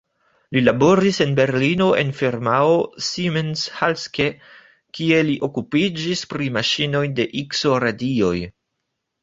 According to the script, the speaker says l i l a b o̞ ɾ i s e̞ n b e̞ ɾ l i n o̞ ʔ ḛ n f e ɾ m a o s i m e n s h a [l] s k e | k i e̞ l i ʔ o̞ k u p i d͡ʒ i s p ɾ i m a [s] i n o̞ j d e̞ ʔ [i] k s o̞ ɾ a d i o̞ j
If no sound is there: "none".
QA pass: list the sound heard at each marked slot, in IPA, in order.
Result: l, ʃ, i

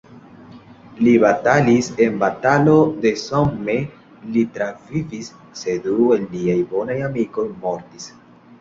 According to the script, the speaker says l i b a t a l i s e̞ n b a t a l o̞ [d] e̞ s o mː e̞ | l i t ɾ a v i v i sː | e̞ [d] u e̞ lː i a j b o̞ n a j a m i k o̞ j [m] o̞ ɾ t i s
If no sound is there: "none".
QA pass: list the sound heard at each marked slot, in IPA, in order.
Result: d, d, m

